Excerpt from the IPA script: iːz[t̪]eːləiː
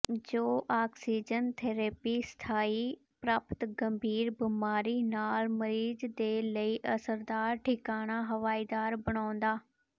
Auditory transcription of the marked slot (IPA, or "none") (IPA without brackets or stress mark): d̪